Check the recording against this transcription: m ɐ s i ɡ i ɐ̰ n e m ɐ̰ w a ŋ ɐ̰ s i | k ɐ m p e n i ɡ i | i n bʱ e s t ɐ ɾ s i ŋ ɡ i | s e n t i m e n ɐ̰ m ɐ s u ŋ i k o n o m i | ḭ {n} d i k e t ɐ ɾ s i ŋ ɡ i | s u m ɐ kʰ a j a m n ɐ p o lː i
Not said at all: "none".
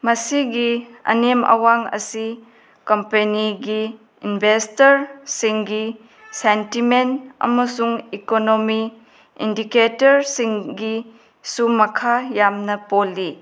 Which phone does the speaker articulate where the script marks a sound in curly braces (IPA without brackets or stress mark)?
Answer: n